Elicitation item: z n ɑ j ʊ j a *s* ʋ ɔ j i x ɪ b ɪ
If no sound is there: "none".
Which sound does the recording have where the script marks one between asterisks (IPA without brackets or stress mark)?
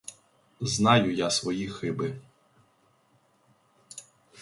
s